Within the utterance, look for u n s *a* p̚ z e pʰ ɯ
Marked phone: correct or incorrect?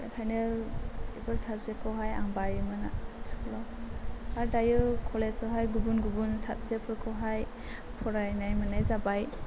correct